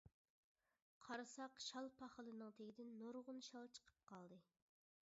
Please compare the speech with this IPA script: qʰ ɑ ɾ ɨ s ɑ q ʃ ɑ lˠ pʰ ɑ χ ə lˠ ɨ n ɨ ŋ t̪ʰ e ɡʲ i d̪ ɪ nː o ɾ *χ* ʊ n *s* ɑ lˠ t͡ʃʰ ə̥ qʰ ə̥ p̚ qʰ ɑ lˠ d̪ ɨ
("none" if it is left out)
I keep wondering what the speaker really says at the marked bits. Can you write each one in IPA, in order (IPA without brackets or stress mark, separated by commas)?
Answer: ʁ, ʃ